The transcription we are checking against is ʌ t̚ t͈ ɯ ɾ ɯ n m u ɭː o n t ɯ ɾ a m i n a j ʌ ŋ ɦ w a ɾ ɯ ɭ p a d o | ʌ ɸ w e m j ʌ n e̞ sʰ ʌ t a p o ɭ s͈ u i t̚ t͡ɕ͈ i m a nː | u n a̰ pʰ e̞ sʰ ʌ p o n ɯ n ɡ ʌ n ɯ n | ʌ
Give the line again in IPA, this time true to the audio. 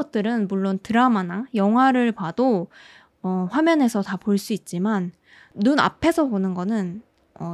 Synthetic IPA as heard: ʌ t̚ t͈ ɯ ɾ ɯ n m u ɭː o n t ɯ ɾ a m a n a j ʌ ŋ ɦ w a ɾ ɯ ɭ p a d o | ʌ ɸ w a m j ʌ n e̞ sʰ ʌ t a p o ɭ s͈ u i t̚ t͡ɕ͈ i m a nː | u n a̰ pʰ e̞ sʰ ʌ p o n ɯ n ɡ ʌ n ɯ n | ʌ